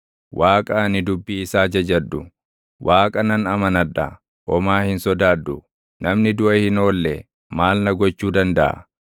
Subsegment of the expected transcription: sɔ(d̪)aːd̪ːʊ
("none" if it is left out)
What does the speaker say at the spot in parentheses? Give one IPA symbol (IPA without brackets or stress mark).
d̪